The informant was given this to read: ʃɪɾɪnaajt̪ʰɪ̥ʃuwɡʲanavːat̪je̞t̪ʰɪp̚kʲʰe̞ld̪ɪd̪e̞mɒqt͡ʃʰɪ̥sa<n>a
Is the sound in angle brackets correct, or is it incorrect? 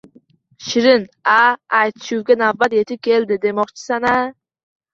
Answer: correct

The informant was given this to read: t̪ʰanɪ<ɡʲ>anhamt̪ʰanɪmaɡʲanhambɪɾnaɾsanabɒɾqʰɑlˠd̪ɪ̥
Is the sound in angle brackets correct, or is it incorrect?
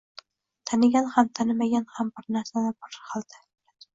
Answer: correct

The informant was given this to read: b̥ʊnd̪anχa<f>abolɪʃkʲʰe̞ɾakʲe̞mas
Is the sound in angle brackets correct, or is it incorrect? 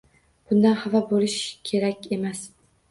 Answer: incorrect: v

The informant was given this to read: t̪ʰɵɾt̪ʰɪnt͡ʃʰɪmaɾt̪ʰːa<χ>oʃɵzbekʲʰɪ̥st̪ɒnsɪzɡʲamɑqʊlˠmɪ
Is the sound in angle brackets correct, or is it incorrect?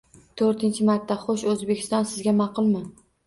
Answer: correct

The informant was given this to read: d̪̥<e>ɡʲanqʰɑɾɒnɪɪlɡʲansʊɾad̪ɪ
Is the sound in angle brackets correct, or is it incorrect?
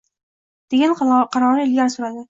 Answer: correct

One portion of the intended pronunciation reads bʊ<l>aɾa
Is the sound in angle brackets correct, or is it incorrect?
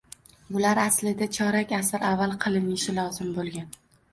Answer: correct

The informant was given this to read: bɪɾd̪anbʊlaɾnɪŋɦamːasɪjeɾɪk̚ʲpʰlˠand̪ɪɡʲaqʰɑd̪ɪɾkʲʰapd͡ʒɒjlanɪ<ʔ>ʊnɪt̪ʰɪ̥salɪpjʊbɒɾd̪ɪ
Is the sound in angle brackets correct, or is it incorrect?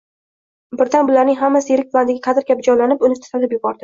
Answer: incorrect: p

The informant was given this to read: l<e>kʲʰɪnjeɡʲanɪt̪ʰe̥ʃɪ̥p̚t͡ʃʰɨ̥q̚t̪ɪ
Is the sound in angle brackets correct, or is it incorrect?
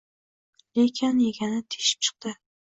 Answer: correct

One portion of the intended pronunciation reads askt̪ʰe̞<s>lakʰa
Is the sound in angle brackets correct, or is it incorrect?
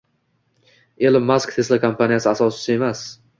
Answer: correct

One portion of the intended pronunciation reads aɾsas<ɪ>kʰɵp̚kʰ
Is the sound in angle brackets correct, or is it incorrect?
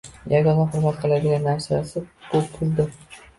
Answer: correct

